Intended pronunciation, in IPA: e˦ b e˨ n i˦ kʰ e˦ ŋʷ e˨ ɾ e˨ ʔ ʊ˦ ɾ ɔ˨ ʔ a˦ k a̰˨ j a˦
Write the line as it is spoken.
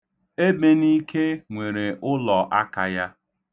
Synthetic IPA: e˦ b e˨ n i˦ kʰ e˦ ŋʷ e˨ ɾ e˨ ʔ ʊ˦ l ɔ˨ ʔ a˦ k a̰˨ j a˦